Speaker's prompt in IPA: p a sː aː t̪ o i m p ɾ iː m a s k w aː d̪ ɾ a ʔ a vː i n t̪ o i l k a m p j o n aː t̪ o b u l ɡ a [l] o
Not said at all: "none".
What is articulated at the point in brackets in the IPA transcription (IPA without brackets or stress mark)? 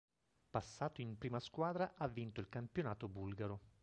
ɾ